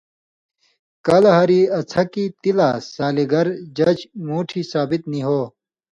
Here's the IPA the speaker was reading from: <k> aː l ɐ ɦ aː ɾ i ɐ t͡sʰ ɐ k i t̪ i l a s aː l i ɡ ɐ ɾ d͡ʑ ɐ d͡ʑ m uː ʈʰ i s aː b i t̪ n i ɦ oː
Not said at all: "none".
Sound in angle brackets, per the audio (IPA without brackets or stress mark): k